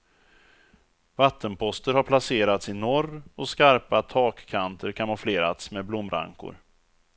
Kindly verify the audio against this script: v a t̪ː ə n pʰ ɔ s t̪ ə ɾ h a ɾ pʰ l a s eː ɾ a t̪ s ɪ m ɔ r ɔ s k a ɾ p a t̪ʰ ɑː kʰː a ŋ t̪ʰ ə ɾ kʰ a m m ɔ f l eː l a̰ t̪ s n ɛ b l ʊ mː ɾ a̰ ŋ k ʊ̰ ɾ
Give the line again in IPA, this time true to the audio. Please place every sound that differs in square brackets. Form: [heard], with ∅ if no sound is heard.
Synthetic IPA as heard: v a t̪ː ə n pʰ ɔ s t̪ ə ɾ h a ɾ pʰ l a s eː ɾ a t̪ s ɪ [n] ɔ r ɔ s k a ɾ p a t̪ʰ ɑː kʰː a [n] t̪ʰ ə ɾ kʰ a [n] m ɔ f l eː [ɾ] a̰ t̪ s [m] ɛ b l ʊ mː ɾ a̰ ŋ k ʊ̰ ɾ